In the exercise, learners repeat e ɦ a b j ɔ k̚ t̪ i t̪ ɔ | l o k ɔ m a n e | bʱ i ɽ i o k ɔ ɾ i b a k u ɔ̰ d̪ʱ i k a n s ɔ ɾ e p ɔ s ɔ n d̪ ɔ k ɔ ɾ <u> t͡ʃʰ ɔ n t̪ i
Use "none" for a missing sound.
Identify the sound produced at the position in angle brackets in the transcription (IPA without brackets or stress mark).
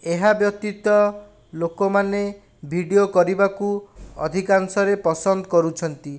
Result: u